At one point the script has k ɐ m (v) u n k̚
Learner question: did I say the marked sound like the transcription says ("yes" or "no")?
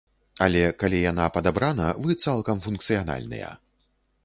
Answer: no